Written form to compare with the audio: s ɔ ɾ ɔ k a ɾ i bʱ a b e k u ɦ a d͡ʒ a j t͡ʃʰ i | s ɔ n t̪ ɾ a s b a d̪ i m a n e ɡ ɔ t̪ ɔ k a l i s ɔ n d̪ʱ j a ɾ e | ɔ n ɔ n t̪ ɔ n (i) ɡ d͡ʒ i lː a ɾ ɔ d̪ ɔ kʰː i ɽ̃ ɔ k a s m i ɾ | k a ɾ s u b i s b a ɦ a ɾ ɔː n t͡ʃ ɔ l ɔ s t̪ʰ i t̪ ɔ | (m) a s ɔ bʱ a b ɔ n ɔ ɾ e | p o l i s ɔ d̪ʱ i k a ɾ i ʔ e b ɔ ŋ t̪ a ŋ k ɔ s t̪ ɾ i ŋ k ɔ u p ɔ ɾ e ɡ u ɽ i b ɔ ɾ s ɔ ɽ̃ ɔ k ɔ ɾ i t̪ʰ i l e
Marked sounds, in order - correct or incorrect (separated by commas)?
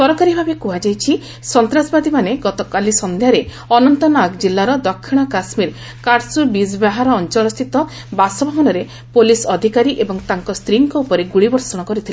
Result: incorrect, incorrect